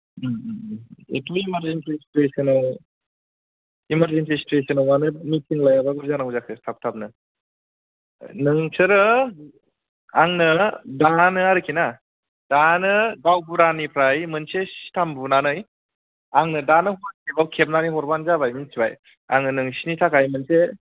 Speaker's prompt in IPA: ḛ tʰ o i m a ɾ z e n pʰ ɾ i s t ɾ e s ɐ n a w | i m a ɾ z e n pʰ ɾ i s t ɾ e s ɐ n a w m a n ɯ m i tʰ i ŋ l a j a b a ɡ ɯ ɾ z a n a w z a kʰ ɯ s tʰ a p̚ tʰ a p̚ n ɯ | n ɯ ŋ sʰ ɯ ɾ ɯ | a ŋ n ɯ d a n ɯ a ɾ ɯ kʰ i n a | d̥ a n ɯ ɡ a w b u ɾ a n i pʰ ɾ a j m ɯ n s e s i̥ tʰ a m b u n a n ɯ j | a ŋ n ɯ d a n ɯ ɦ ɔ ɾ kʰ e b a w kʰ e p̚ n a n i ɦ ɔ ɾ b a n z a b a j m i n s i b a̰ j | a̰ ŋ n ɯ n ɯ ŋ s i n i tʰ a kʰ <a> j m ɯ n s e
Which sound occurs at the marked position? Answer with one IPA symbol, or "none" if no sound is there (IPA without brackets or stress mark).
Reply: a